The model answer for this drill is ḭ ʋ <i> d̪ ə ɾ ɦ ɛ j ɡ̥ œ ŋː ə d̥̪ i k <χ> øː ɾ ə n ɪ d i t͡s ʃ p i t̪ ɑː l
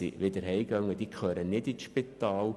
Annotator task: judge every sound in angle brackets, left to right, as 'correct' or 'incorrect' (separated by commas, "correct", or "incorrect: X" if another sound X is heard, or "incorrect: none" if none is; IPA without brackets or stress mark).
incorrect: ɪ, correct